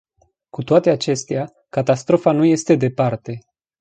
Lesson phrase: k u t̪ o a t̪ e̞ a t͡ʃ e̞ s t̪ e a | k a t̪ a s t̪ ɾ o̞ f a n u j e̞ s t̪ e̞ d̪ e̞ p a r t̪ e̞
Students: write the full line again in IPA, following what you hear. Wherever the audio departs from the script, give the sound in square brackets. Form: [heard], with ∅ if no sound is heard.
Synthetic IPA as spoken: k u t̪ o a t̪ e̞ a t͡ʃ e̞ s t̪ e a | k a t̪ a s t̪ ɾ o̞ f a n u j e̞ s t̪ e̞ d̪ e̞ p a r t̪ e̞

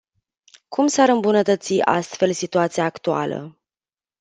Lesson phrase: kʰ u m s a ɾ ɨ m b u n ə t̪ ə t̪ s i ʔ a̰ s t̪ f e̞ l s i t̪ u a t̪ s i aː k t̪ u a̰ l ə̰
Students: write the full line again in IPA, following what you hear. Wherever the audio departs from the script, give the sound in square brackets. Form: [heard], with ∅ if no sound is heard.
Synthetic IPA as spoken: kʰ u m s a ɾ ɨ m b u n ə t̪ ə t̪ s i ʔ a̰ s t̪ f e̞ l s i t̪ u a t̪ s i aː k t̪ u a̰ l ə̰

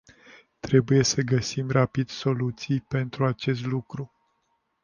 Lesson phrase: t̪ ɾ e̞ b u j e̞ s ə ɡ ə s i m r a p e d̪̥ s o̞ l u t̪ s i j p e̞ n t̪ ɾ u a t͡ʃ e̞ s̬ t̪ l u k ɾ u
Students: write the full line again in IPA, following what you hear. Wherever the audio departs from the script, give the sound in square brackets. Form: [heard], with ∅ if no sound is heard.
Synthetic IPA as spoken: t̪ ɾ e̞ b u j e̞ s ə ɡ ə s i m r a p [i] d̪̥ s o̞ l u t̪ s i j p e̞ n t̪ ɾ u a t͡ʃ e̞ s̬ t̪ l u k ɾ u

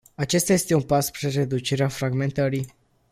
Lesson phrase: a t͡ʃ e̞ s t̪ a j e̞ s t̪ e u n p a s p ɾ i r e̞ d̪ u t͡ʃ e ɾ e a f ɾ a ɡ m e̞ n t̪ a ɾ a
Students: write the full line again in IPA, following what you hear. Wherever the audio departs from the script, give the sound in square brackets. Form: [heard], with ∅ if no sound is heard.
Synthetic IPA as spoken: a t͡ʃ e̞ s t̪ a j e̞ s t̪ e u n p a s p ɾ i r e̞ d̪ u t͡ʃ e ɾ e a f ɾ a ɡ m e̞ n t̪ [ə] ɾ [i]

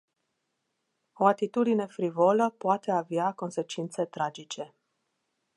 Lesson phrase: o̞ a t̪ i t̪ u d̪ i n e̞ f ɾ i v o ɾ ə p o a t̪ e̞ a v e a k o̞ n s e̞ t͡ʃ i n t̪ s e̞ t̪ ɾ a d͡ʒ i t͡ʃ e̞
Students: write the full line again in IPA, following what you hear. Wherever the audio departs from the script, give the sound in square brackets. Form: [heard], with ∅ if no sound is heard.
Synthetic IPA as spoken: o̞ a t̪ i t̪ u d̪ i n e̞ f ɾ i v o [l] ə p o a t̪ e̞ a v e a k o̞ n s e̞ t͡ʃ i n t̪ s e̞ t̪ ɾ a d͡ʒ i t͡ʃ e̞

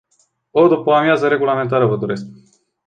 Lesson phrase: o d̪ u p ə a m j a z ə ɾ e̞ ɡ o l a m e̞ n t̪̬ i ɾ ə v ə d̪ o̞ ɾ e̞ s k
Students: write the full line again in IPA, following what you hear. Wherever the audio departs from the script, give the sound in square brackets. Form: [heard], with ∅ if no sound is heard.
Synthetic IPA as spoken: o d̪ u p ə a m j a z ə ɾ e̞ ɡ [u] l a m e̞ n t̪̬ [a] ɾ ə v ə d̪ o̞ ɾ e̞ s k

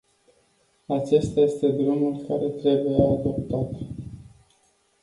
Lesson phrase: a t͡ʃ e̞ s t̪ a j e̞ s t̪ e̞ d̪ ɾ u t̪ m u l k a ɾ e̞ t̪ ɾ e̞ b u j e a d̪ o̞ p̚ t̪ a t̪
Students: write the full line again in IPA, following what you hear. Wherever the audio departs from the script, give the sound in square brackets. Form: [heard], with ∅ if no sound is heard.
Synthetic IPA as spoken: a t͡ʃ e̞ s t̪ a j e̞ s t̪ e̞ d̪ ɾ u [∅] m u l k a ɾ e̞ t̪ ɾ e̞ b u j e a d̪ o̞ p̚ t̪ a t̪

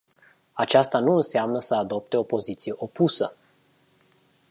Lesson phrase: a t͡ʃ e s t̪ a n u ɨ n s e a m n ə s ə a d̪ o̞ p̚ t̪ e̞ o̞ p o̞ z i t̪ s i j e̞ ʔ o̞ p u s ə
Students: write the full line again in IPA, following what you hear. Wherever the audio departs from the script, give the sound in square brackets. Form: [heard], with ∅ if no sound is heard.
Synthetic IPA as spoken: a t͡ʃ [a] s t̪ a n u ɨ n s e a m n ə s ə a d̪ o̞ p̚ t̪ e̞ o̞ p o̞ z i t̪ s i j e̞ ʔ o̞ p u s ə

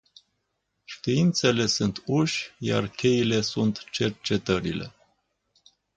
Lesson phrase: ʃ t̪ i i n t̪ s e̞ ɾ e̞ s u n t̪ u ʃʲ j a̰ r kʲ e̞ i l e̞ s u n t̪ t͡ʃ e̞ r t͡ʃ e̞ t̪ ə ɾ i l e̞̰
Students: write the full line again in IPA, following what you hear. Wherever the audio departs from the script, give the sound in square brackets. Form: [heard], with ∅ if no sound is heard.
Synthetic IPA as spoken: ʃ t̪ i i n t̪ s e̞ [l] e̞ s u n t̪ u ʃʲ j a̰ r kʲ e̞ i l e̞ s u n t̪ t͡ʃ e̞ r t͡ʃ e̞ t̪ ə ɾ i l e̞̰

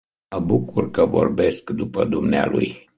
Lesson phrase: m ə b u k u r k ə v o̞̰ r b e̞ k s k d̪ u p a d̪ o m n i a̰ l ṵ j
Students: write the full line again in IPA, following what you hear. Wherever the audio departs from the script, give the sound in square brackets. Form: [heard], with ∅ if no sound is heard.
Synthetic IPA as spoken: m ə b u k u r k ə v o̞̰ r b e̞ [∅] s k d̪ u p [ə] d̪ [u] m n [e] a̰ l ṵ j

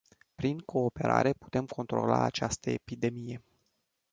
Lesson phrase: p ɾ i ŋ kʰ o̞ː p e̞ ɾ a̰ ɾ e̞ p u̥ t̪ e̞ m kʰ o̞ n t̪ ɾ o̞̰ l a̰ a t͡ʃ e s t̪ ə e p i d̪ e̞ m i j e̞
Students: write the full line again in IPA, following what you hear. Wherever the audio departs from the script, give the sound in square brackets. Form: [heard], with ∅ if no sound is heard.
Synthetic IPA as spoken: p ɾ i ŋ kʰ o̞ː p e̞ ɾ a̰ ɾ e̞ p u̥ t̪ e̞ m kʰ o̞ n t̪ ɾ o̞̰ l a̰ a t͡ʃ [a] s t̪ ə e p i d̪ e̞ m i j e̞

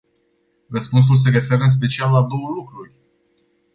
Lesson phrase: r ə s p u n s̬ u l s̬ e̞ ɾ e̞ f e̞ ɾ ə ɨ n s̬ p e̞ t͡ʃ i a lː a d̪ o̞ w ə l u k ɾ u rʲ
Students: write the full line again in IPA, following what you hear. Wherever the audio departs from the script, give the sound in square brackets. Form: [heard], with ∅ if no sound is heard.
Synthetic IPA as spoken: r ə s p u n s̬ u l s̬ e̞ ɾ e̞ f e̞ ɾ ə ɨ n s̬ p e̞ t͡ʃ i a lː a d̪ o̞ w ə l u k ɾ u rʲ

